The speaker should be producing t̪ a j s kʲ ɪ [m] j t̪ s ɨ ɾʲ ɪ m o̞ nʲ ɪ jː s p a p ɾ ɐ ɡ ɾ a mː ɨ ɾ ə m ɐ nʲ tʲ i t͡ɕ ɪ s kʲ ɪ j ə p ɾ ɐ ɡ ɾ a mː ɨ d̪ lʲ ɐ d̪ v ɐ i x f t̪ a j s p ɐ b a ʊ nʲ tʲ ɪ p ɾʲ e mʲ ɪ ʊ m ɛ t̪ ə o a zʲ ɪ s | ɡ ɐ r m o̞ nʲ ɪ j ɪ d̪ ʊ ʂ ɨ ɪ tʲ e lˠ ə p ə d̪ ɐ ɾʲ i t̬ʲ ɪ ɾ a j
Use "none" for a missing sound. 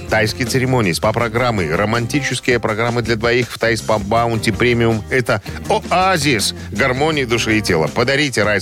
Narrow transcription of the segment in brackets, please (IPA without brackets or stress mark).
none